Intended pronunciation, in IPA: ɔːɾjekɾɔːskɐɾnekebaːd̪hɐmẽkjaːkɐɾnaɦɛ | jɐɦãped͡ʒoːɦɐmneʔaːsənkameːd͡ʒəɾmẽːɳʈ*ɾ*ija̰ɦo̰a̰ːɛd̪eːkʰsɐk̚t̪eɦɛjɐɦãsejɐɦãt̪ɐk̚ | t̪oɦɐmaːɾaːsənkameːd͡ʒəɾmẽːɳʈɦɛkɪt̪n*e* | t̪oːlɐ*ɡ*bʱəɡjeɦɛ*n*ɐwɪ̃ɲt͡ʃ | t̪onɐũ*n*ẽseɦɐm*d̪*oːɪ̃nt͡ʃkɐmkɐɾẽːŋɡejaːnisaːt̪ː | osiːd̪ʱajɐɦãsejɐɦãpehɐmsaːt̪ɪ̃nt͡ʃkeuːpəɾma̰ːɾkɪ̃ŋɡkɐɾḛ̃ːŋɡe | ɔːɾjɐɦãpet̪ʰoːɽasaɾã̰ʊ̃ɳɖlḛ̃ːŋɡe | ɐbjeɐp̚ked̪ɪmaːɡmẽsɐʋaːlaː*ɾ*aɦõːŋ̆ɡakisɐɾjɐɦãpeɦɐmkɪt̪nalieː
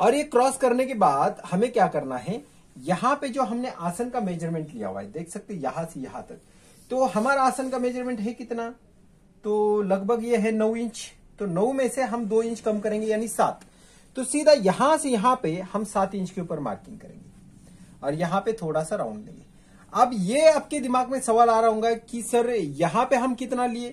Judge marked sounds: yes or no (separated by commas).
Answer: no, no, yes, yes, no, yes, yes